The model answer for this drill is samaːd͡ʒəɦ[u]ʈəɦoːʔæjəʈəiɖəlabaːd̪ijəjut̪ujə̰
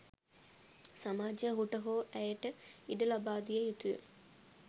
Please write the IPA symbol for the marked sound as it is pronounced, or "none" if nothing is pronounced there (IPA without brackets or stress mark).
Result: u